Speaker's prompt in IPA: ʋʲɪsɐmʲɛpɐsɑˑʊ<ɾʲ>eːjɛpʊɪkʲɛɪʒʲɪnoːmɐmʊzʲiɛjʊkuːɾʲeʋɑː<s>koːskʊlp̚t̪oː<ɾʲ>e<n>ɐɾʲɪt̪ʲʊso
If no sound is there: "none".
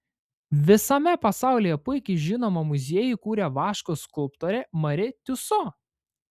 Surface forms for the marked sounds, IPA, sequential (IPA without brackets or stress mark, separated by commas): lʲ, ʃ, ɾʲ, m